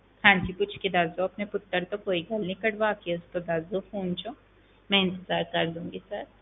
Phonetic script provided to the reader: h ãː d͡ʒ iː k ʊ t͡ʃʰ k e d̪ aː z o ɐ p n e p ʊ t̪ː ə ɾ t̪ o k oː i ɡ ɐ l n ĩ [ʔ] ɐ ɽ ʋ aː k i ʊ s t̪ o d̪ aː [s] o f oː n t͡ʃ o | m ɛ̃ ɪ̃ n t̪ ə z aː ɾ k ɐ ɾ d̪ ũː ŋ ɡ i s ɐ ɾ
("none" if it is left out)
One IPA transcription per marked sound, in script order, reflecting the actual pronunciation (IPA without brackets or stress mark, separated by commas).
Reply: k, z